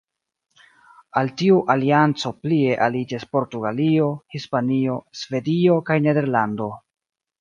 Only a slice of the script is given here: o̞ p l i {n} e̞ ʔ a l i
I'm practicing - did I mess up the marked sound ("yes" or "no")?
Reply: yes